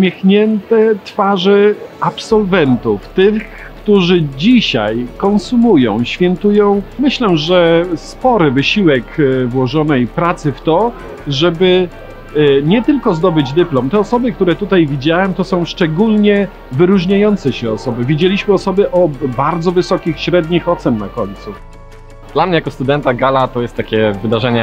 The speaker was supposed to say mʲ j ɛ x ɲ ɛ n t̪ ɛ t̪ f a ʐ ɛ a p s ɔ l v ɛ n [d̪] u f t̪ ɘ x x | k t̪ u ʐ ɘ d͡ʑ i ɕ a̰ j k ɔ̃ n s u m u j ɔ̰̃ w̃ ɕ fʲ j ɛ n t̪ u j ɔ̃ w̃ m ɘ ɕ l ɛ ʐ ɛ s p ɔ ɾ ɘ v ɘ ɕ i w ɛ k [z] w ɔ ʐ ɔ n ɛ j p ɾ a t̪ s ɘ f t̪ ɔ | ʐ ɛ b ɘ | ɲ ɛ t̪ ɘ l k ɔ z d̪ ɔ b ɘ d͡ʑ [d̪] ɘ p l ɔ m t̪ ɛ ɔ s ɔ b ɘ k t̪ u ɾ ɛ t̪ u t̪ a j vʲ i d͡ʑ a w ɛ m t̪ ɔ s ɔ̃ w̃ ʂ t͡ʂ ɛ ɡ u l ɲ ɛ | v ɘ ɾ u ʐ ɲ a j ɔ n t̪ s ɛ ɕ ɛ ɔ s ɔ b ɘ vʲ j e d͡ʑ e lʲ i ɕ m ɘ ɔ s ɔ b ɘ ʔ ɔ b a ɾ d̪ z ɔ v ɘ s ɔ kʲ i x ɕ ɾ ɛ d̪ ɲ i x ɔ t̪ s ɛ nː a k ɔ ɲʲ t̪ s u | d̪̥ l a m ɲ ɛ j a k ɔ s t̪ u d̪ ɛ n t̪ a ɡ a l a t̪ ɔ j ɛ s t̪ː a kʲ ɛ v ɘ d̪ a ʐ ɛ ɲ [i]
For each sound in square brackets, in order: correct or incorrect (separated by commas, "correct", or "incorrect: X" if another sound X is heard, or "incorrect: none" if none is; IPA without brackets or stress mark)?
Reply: incorrect: t̪, incorrect: v, correct, incorrect: ɛ